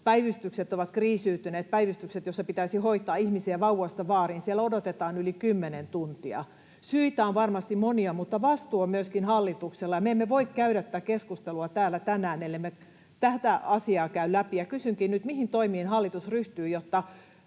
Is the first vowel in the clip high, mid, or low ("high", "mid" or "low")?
low